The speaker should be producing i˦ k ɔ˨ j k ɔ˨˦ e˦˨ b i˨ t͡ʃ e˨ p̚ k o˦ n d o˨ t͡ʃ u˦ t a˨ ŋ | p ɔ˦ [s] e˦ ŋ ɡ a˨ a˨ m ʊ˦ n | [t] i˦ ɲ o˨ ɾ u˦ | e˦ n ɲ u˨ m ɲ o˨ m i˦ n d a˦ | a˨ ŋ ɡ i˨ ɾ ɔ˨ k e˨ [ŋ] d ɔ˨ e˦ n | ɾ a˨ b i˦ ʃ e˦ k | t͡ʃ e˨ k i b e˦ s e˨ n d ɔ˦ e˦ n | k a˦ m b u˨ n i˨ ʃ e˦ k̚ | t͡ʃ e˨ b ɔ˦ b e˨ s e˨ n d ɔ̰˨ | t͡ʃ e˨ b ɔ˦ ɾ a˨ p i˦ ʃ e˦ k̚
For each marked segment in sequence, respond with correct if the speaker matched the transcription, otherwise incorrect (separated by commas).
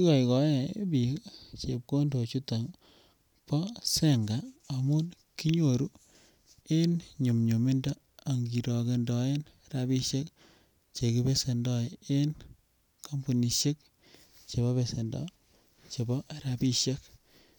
correct, incorrect, incorrect